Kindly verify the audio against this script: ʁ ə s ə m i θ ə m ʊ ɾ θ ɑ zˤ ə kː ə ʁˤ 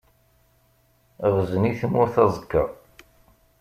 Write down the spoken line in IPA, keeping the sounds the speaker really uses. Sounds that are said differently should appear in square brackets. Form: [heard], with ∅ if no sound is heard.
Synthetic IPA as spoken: ʁ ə [z] ə [n] i θ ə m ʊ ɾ θ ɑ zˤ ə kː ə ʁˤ